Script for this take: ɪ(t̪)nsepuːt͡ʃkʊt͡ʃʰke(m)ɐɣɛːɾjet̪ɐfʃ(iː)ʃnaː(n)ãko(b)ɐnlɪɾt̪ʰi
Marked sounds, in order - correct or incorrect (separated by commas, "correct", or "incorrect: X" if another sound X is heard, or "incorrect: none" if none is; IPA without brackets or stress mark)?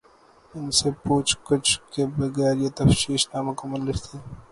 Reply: incorrect: none, incorrect: b, correct, incorrect: m, incorrect: m